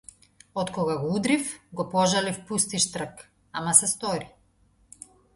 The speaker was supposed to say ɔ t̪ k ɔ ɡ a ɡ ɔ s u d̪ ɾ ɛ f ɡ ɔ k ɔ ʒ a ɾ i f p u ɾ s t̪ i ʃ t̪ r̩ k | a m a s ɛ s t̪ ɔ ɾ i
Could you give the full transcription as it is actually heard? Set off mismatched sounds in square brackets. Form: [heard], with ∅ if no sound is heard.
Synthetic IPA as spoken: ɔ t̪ k ɔ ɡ a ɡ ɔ [∅] u d̪ ɾ [i] f ɡ ɔ [p] ɔ ʒ a [l] i f p u [∅] s t̪ i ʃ t̪ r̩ k | a m a s ɛ s t̪ ɔ ɾ i